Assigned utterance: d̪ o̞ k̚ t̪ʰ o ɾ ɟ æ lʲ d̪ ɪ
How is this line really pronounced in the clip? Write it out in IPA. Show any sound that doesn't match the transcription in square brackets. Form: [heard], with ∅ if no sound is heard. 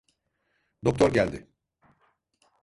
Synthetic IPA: d̪ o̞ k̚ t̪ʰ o ɾ ɟ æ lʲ d̪ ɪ